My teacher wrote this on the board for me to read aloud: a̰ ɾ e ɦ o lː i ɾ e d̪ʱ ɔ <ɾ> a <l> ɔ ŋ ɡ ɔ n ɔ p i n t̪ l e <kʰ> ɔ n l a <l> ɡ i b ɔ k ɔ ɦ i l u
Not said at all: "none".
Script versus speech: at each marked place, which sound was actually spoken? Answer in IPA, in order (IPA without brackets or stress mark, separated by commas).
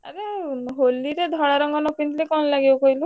ɽ, ɾ, k, none